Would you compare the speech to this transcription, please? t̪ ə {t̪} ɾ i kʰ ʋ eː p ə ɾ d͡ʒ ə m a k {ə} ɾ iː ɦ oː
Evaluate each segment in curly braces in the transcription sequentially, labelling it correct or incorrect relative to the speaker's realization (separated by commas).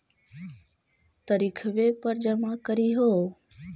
incorrect, correct